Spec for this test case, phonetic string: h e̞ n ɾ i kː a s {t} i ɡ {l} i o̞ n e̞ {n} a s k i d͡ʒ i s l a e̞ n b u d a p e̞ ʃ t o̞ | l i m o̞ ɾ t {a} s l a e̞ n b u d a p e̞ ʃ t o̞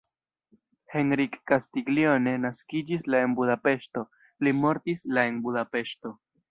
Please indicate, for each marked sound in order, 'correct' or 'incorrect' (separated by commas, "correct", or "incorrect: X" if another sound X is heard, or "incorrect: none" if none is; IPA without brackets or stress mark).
correct, correct, correct, incorrect: i